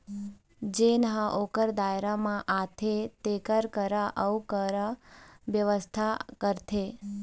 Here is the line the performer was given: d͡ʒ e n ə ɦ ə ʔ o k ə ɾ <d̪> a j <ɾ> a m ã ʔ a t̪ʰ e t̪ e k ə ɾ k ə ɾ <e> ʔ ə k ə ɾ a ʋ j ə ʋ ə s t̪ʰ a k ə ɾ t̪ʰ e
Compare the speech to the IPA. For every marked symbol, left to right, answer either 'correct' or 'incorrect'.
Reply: correct, correct, incorrect: a

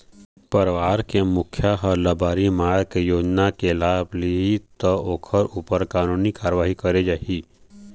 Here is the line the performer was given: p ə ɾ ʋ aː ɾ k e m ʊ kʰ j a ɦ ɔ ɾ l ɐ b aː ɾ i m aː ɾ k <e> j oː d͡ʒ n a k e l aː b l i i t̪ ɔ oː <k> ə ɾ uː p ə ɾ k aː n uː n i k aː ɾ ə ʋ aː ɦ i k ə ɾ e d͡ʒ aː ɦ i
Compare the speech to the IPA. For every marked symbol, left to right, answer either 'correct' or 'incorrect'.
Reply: correct, incorrect: kʰ

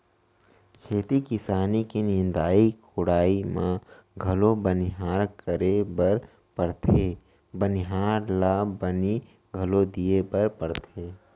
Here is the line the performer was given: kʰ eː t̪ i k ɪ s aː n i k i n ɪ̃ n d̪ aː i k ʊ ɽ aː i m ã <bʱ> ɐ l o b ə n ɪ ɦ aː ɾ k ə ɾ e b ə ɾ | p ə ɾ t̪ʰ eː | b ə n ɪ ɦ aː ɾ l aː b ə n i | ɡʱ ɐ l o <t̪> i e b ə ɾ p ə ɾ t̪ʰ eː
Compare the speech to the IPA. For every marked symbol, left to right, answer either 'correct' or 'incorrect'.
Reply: incorrect: ɡʱ, incorrect: d̪

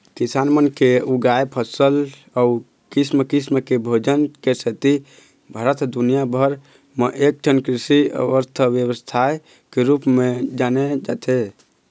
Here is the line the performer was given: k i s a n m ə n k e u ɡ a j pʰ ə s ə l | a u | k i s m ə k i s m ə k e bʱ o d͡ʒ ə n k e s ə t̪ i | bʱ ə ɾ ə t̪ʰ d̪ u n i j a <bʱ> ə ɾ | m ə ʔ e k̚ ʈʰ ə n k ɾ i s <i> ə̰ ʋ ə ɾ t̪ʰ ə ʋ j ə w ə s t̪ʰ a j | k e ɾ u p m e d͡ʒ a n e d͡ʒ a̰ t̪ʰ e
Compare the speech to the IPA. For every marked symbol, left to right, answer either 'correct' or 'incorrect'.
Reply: correct, correct

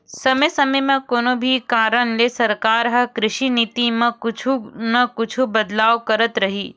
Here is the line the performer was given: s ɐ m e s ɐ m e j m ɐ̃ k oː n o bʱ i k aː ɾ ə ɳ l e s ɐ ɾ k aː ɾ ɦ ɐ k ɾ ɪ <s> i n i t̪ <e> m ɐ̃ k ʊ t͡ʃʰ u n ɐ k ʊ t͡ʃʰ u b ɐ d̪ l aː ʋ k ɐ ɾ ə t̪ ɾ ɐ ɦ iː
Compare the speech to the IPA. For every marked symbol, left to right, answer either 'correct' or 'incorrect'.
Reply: incorrect: ʃ, incorrect: i

